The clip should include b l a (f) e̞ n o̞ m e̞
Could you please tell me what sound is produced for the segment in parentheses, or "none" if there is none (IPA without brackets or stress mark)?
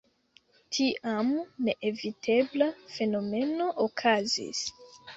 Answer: f